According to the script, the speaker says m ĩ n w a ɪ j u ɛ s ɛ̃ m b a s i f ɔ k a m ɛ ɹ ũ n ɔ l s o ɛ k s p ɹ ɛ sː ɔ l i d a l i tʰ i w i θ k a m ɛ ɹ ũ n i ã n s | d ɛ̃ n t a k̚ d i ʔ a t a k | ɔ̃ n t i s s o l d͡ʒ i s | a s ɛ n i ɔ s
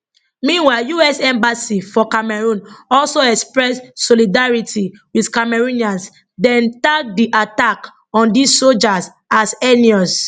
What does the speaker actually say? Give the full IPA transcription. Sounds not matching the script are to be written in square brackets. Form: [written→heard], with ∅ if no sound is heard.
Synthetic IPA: m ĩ n w a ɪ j u ɛ s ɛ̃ m b a s i f ɔ k a m ɛ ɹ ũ n ɔ l s o ɛ k s p ɹ ɛ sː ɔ l i d a [l→ɹ] i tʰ i w i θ k a m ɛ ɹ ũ n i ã n s | d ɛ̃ n t a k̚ d i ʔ a t a k | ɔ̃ n [t→d] i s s o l d͡ʒ [i→a] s | a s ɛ n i ɔ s

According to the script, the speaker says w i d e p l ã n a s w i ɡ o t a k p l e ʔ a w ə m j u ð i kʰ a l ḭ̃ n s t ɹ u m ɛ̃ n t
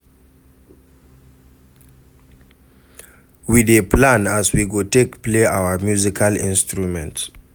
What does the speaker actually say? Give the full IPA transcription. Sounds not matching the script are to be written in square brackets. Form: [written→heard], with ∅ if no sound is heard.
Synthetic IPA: w i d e p l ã n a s w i ɡ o t [a→e] k p l e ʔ a w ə m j u [ð→z] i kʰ a l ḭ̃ n s t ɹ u m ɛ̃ n t

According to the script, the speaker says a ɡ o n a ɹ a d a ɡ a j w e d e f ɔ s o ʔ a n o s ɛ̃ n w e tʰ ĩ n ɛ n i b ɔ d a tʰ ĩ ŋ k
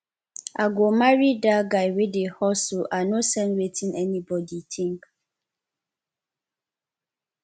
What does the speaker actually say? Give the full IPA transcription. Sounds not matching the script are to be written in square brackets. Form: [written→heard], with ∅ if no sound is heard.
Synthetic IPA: a ɡ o [n→m] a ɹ [a→i] d a ɡ a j w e d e [f→h] ɔ s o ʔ a n o s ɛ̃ n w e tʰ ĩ n ɛ n i b ɔ d [a→i] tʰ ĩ ŋ k

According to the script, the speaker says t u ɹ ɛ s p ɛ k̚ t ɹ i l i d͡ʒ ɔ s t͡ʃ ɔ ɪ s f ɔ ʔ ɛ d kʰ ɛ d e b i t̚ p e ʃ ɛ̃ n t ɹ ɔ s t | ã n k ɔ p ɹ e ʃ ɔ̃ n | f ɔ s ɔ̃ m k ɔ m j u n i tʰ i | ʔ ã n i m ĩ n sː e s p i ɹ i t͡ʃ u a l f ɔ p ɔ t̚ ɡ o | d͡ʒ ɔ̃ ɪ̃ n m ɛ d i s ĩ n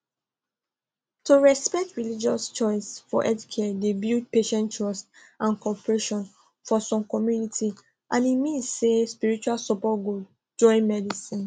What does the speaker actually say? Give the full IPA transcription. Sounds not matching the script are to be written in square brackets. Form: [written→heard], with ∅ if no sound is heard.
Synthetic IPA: t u ɹ ɛ s p ɛ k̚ t ɹ i l i d͡ʒ ɔ s t͡ʃ ɔ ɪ s f ɔ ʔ ɛ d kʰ ɛ d e b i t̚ p e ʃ ɛ̃ n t ɹ ɔ s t | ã n k ɔ p ɹ e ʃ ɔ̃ n | f ɔ s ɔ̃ m k ɔ m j u n i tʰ i | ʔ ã n i m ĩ n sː e s p i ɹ i t͡ʃ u a l [f→s] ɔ p ɔ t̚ ɡ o | d͡ʒ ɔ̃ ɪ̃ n m ɛ d i s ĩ n

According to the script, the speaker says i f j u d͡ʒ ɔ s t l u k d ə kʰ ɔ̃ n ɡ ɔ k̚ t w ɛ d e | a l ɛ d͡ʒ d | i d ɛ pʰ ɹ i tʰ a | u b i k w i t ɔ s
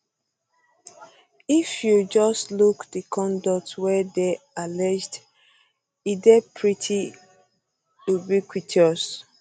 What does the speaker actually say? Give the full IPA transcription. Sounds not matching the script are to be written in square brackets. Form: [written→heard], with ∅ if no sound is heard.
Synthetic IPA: i f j u d͡ʒ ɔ s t l u k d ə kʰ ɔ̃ n [ɡ→d] ɔ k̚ t w ɛ d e | a l ɛ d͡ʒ d | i d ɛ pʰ ɹ i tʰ [a→i] | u b i k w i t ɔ s

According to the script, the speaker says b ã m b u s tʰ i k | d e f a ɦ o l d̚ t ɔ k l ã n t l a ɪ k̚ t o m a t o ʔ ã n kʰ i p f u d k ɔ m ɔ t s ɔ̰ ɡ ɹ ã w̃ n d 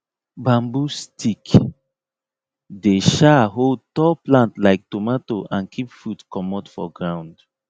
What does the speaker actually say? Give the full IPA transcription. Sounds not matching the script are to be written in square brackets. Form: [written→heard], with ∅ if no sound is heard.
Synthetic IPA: b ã m b u s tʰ i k | d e [f→ʃ] a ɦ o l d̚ t ɔ [k→p] l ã n t l a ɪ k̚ t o m a t o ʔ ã n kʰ i p f u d k ɔ m ɔ t [s→f] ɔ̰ ɡ ɹ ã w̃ n d

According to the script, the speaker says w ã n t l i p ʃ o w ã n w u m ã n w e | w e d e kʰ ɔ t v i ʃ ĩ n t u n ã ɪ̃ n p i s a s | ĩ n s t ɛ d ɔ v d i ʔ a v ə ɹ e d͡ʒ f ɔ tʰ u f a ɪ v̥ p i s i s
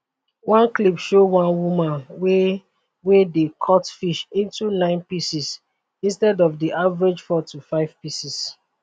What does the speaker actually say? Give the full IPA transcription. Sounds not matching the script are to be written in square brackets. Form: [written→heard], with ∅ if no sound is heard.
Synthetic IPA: w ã n [t→k] l i p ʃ o w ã n w u m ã n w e | w e d e kʰ ɔ t [v→f] i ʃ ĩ n t u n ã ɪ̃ n p i s [a→i] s | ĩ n s t ɛ d ɔ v d i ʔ a v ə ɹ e d͡ʒ f ɔ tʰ u f a ɪ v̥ p i s i s

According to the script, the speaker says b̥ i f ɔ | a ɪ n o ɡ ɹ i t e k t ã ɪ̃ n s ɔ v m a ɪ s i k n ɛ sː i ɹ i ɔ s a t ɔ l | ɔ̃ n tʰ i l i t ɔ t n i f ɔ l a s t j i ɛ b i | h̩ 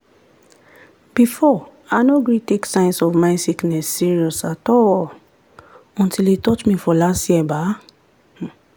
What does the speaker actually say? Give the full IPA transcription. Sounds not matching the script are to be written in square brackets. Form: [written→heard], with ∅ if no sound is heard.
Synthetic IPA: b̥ i f ɔ | a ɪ n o ɡ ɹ i t e k [t→s] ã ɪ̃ n s ɔ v m a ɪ s i k n ɛ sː i ɹ i ɔ s a t ɔ l | ɔ̃ n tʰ i l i t ɔ t [n→m] i f ɔ l a s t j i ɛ b [i→a] | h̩

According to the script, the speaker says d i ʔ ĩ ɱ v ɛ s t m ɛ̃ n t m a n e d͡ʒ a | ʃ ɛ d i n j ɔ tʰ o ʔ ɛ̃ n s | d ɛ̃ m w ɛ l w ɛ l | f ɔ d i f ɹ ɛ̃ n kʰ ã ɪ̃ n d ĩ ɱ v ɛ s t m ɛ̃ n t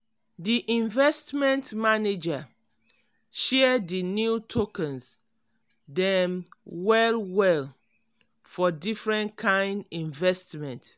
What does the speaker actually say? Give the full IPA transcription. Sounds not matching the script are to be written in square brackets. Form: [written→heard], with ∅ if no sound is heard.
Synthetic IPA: d i ʔ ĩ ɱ v ɛ s t m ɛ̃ n t m a n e d͡ʒ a | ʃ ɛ d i n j [ɔ→u] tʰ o [ʔ→k] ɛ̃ n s | d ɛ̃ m w ɛ l w ɛ l | f ɔ d i f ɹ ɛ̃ n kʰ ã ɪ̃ n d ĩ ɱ v ɛ s t m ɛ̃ n t

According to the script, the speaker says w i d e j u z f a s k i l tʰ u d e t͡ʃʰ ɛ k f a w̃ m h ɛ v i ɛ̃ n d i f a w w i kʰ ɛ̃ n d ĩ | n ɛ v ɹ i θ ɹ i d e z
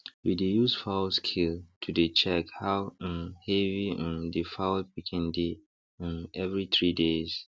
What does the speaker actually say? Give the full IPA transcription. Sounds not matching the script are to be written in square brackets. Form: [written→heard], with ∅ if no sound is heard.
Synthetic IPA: w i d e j u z f a s [k→kʰ] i l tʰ u d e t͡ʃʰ ɛ k [f→h] a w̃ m h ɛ v i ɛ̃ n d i f a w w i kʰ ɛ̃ n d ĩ | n ɛ v ɹ i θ ɹ i d e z

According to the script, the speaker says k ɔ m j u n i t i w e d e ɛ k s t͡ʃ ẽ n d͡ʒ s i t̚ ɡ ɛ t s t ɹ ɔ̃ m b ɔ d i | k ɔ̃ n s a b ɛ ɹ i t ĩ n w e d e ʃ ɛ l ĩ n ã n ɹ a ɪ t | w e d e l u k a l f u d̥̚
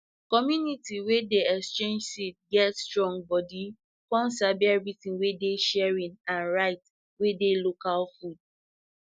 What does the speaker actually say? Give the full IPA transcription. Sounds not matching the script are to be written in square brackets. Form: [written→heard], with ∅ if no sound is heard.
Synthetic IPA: k ɔ m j u n i t i w e d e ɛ k s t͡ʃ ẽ n d͡ʒ s i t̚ ɡ ɛ t s t ɹ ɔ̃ [m→ŋ] b ɔ d i | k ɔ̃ n s a b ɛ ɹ i t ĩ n w e d e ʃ ɛ [l→ɹ] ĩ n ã n ɹ a ɪ t | w e d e l [u→o] k a l f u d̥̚

